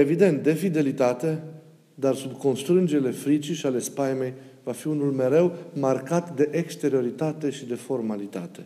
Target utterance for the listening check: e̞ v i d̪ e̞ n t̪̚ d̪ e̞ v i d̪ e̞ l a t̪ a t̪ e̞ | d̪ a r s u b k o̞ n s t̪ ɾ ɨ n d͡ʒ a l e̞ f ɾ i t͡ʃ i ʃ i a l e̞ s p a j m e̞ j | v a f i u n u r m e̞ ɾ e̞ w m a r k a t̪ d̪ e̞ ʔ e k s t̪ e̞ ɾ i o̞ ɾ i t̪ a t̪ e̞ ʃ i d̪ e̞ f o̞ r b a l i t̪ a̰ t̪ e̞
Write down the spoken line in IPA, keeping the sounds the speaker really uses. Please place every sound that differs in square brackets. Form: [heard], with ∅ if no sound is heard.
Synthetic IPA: e̞ v i d̪ e̞ n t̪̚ d̪ e̞ [f] i d̪ e̞ l [i] t̪ a t̪ e̞ | d̪ a r s u b k o̞ n s t̪ ɾ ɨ n d͡ʒ [e] l e̞ f ɾ i t͡ʃ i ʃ i a l e̞ s p a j m e̞ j | v a f i u n u [l] m e̞ ɾ e̞ w m a r k a t̪ d̪ e̞ ʔ e k s t̪ e̞ ɾ i o̞ ɾ i t̪ a t̪ e̞ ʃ i d̪ e̞ f o̞ r [m] a l i t̪ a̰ t̪ e̞